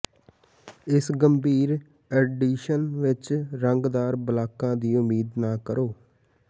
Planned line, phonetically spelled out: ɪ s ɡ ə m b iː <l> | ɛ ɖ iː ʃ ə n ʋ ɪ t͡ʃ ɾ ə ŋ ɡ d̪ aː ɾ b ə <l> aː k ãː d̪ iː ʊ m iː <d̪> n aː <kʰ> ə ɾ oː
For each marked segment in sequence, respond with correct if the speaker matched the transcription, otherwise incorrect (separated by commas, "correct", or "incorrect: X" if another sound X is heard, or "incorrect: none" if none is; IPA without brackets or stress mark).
incorrect: ɾ, correct, correct, incorrect: k